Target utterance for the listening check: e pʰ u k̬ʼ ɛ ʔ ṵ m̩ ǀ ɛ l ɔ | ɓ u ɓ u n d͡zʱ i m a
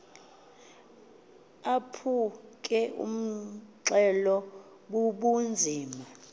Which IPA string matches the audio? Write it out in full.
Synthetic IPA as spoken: a pʰ u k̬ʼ ɛ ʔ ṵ m̩ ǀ ɛ l ɔ | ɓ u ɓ u n d͡zʱ iː m a